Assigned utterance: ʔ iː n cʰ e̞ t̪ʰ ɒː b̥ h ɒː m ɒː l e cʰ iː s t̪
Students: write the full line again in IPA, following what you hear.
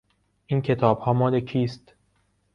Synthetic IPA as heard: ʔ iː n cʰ e̞ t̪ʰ ɒː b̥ h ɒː m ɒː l e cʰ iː s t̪